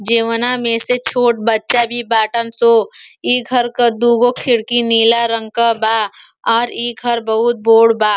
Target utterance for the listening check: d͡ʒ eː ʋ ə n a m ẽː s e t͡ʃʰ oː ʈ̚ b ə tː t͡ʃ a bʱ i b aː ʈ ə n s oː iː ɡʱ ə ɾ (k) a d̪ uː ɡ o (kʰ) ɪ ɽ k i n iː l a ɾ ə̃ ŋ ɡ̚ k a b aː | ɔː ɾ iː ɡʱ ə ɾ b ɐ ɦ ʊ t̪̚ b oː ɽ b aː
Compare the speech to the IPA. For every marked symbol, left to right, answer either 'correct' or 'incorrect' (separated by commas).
correct, correct